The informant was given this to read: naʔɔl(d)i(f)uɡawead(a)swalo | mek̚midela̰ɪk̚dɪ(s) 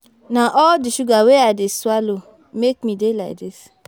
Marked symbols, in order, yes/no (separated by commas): yes, no, no, yes